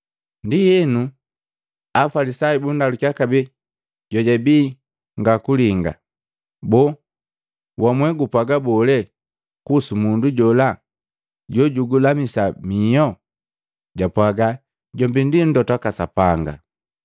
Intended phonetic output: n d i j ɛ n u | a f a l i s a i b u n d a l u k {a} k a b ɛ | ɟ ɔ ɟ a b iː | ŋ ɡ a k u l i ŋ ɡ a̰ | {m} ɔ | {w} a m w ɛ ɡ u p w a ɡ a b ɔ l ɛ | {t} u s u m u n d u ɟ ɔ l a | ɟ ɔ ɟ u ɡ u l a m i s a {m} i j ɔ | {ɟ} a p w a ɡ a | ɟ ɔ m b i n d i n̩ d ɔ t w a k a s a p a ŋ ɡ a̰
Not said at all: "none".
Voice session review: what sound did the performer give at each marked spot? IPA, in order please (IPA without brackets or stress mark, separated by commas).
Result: a, b, w, k, m, ɟ